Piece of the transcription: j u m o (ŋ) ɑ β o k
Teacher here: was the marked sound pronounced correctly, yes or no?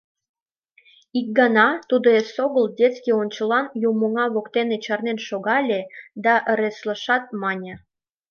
yes